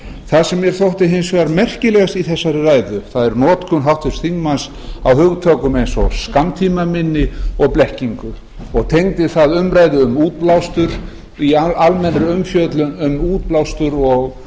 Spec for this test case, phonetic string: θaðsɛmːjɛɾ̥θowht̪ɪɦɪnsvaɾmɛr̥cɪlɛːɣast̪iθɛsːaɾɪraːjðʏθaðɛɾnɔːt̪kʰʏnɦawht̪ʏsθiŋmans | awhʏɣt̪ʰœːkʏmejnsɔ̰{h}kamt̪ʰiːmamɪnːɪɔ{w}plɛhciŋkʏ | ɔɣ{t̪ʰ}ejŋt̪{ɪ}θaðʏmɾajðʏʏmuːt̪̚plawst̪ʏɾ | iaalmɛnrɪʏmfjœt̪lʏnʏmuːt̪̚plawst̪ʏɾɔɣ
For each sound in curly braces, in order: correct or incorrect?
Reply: incorrect: s, incorrect: ɣ, correct, correct

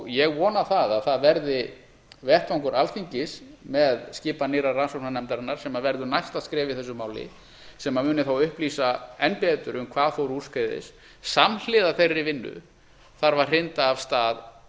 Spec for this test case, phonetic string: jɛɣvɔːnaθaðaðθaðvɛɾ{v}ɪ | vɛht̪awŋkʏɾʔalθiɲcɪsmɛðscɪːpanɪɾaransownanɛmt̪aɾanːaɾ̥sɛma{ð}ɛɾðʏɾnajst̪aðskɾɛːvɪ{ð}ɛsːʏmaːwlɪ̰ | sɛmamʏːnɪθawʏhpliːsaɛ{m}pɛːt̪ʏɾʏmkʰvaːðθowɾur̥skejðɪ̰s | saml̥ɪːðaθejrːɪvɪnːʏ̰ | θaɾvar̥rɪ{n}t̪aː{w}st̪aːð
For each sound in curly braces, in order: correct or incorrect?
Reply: incorrect: ð, incorrect: v, incorrect: θ, incorrect: n, correct, incorrect: v

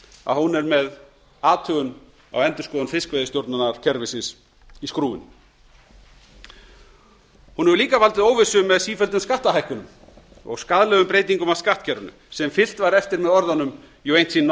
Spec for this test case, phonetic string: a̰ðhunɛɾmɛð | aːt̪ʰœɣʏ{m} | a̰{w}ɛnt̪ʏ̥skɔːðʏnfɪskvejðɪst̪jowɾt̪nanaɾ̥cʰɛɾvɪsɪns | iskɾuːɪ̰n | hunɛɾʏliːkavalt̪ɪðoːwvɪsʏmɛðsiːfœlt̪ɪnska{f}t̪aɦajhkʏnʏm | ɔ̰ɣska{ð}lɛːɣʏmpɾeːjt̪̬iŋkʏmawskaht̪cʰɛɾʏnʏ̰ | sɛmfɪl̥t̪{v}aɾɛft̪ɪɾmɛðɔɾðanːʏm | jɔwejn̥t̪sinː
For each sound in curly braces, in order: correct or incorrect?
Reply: incorrect: n, correct, incorrect: h, correct, correct

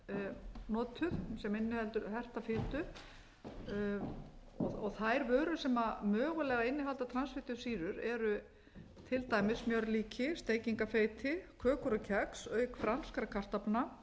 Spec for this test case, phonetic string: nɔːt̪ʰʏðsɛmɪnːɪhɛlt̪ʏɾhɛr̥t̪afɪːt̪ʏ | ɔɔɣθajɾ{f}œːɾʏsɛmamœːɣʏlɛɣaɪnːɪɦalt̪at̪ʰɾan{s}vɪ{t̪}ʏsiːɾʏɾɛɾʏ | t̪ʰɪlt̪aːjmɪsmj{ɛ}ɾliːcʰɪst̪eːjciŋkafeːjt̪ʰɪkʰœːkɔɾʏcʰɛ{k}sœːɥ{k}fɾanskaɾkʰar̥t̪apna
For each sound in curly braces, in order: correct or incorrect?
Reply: incorrect: v, correct, correct, incorrect: œ, correct, correct

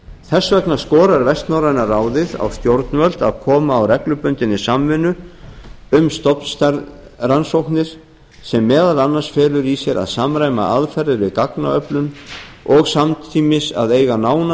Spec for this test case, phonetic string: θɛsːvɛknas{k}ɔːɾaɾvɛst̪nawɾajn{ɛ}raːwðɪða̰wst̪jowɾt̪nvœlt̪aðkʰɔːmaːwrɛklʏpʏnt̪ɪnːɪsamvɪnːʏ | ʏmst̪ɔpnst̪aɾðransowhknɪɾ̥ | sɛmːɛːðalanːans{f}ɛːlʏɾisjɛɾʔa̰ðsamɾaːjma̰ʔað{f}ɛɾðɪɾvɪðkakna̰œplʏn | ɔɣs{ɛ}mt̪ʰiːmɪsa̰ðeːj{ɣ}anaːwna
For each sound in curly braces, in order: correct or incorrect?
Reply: correct, incorrect: a, correct, correct, incorrect: a, correct

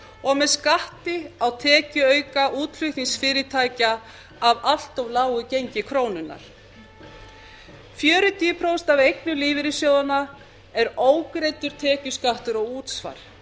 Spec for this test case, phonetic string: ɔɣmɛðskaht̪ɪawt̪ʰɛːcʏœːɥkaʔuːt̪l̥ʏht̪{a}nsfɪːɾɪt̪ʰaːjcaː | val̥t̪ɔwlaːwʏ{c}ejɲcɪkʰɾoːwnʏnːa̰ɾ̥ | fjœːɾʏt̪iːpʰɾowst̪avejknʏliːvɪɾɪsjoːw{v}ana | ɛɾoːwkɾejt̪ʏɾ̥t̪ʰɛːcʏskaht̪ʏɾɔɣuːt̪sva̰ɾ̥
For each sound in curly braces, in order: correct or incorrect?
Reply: incorrect: i, correct, incorrect: ð

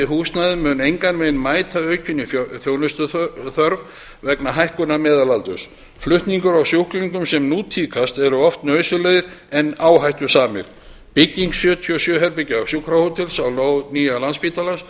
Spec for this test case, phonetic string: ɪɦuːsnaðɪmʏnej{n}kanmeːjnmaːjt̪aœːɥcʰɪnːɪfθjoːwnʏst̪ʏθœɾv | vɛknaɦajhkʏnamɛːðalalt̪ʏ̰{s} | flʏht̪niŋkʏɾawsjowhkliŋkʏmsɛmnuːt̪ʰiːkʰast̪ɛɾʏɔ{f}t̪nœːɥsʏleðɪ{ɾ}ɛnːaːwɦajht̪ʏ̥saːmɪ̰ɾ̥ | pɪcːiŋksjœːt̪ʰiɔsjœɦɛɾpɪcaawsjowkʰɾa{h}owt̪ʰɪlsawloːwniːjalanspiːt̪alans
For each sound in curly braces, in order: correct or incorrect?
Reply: incorrect: ŋ, correct, correct, correct, correct

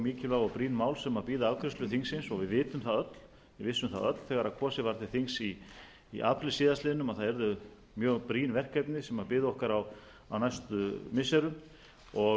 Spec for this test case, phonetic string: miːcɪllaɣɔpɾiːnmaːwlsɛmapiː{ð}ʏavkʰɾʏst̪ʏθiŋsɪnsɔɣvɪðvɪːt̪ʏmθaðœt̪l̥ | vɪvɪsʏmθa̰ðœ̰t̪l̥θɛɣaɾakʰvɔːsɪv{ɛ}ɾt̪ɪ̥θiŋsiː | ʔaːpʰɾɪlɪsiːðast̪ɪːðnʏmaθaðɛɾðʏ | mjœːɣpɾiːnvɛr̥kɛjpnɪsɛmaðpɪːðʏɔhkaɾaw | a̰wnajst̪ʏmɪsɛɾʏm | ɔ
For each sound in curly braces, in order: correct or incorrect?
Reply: correct, incorrect: a

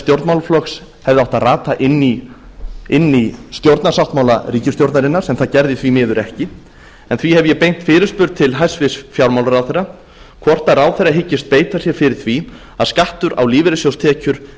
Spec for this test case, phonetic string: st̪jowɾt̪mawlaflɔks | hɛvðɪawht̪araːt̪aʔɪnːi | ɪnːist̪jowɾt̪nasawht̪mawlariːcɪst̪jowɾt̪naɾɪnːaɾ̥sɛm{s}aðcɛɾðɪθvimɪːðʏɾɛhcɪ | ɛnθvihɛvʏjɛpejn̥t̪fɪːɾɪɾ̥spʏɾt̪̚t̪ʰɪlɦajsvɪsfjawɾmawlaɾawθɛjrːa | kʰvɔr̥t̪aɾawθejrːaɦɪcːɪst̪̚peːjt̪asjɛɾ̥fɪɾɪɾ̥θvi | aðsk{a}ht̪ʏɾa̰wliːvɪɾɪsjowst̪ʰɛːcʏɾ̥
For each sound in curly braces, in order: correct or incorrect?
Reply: incorrect: θ, correct

